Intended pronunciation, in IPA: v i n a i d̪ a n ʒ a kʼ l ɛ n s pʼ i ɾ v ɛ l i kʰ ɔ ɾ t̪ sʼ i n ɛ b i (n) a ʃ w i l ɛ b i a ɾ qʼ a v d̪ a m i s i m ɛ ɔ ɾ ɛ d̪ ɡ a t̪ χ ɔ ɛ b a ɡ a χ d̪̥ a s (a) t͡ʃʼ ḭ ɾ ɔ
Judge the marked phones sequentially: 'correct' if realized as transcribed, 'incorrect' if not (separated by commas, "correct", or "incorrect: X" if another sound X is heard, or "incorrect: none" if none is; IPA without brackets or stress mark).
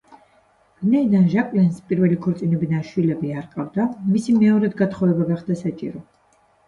correct, correct